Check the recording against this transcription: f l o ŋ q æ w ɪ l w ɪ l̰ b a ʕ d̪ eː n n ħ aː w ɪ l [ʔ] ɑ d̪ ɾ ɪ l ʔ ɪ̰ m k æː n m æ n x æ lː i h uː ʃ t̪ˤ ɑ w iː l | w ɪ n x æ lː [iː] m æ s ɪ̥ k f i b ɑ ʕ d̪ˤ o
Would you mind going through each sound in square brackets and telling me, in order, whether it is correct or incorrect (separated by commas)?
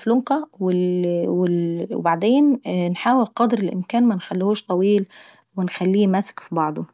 incorrect, correct